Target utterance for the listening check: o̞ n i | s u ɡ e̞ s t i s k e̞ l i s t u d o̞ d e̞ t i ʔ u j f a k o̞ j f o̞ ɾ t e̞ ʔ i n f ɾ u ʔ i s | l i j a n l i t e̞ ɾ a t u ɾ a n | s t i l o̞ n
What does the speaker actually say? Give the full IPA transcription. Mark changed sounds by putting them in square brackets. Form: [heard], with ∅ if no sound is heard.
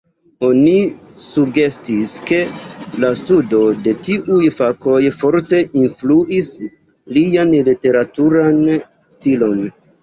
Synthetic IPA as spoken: o̞ n i | s u ɡ e̞ s t i s k e̞ l [a] s t u d o̞ d e̞ t i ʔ u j f a k o̞ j f o̞ ɾ t e̞ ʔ i n f [l] u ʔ i s | l i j a n l i t e̞ ɾ a t u ɾ a n | s t i l o̞ n